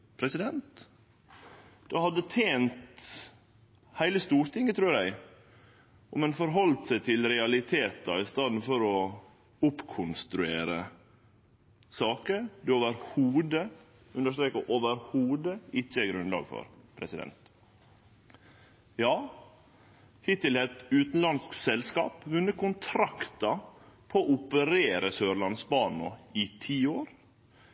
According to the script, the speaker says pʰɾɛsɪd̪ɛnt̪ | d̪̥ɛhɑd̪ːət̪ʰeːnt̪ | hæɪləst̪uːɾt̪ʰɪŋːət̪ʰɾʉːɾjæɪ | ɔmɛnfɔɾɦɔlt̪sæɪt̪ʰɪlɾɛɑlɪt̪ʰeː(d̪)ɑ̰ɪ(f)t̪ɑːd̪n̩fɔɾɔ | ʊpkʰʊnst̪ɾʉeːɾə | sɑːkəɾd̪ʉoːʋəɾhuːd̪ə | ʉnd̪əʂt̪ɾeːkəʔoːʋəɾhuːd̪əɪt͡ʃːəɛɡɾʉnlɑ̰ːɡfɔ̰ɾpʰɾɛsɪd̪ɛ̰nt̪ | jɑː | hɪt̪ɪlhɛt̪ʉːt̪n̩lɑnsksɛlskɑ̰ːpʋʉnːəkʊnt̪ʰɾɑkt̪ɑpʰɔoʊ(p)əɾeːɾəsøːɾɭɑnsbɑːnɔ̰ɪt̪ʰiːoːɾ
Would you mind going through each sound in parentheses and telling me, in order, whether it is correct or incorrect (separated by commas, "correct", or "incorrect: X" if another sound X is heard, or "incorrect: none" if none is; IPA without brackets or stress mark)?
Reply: incorrect: t̪, incorrect: s, correct